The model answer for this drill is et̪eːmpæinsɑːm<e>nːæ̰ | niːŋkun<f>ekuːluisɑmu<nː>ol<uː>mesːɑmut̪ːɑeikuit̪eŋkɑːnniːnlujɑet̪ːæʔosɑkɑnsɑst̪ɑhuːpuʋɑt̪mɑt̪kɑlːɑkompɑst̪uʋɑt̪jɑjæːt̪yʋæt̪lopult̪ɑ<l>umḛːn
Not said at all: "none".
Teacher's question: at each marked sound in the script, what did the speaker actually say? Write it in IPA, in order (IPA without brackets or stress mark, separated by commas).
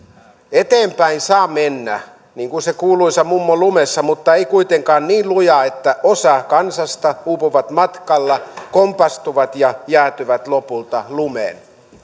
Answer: e, s, mː, u, l